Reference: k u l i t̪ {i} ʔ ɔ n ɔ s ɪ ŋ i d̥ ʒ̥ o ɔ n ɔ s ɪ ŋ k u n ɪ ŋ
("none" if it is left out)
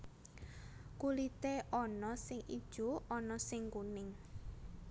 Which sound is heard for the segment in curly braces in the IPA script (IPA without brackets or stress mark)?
e